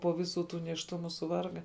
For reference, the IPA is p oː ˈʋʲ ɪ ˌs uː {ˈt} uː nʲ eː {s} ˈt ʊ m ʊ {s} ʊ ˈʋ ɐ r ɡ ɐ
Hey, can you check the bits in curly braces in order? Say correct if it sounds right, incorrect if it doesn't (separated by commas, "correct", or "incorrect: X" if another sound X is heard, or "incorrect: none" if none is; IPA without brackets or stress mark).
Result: correct, incorrect: ʃ, correct